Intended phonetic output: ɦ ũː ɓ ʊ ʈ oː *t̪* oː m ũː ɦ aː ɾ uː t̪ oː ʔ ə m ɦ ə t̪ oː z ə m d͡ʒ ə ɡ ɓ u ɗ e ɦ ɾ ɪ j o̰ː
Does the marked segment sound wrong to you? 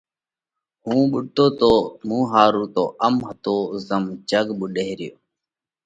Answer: no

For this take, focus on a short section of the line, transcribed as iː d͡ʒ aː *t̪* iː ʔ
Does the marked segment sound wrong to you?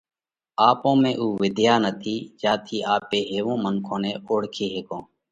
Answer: yes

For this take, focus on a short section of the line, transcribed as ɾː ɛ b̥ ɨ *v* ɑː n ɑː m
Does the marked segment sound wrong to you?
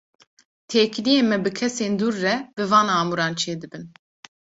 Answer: no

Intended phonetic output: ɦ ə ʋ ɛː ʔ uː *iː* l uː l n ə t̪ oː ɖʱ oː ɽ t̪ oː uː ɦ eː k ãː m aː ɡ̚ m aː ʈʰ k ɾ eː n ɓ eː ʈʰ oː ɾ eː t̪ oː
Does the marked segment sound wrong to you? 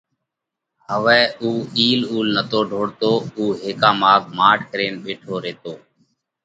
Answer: no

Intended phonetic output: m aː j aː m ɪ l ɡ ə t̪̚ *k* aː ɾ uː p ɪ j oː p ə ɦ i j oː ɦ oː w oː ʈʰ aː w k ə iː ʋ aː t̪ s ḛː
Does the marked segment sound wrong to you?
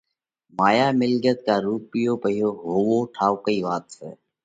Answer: no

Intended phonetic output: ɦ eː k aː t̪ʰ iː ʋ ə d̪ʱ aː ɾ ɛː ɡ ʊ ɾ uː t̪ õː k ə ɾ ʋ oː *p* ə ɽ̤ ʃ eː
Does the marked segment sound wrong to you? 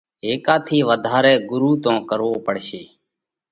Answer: no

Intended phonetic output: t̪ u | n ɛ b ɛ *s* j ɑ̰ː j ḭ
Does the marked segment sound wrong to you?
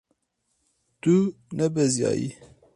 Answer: yes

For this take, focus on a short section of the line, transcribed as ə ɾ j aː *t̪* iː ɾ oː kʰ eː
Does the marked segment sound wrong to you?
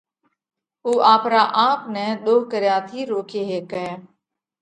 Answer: yes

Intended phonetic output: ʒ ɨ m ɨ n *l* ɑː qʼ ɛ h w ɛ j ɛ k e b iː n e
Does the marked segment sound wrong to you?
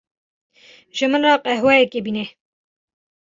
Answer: yes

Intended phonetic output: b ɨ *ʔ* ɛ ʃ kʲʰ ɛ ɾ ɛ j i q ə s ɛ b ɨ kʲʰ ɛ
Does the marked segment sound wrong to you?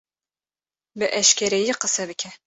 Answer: no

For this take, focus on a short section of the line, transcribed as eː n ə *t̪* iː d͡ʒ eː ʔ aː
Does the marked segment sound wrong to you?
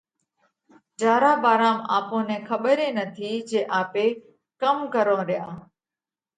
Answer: yes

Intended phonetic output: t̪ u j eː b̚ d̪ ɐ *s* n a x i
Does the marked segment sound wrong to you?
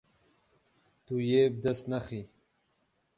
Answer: no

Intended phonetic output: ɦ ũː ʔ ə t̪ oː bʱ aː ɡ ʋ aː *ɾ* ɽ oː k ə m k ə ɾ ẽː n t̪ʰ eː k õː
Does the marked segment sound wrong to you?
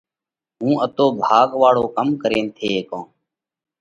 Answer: yes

